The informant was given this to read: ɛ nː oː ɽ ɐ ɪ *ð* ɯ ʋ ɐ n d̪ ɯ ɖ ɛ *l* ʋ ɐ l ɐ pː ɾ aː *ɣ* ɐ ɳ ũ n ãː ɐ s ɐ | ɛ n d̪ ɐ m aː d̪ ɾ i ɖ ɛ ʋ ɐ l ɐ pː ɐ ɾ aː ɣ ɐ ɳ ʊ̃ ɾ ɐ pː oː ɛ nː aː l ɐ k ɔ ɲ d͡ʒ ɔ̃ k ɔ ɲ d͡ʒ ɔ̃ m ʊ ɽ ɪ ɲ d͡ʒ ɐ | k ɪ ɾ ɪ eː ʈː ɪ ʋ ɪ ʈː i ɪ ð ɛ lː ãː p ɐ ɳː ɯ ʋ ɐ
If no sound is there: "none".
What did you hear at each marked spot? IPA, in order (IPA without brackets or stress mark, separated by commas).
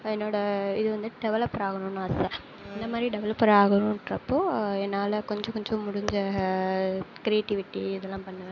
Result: ð, none, ɣ